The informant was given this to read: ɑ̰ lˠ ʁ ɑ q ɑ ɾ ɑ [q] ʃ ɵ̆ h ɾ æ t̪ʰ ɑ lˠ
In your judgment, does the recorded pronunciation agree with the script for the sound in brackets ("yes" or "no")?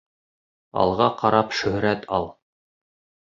no